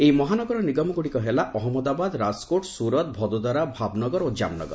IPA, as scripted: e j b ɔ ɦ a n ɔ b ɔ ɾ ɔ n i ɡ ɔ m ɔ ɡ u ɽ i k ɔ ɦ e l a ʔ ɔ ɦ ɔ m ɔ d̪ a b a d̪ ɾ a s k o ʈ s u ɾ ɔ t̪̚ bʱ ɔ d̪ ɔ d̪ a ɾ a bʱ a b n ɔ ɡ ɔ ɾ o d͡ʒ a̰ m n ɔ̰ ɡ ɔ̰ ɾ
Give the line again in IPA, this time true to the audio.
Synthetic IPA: e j m ɔ ɦ a n ɔ ɡ ɔ ɾ ɔ n i ɡ ɔ m ɔ ɡ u ɽ i k ɔ ɦ e l a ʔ ɔ ɦ ɔ m ɔ d̪ a b a d̪ ɾ a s k o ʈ s u ɾ ɔ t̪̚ bʱ ɔ d̪ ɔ d̪ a ɾ a bʱ a b n ɔ ɡ ɔ ɾ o d͡ʒ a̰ m n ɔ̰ ɡ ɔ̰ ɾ